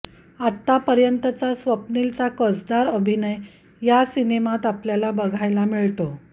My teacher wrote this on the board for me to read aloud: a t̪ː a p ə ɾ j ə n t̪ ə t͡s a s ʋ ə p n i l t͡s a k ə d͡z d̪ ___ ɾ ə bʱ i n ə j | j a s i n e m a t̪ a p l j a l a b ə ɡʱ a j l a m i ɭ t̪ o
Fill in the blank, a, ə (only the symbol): a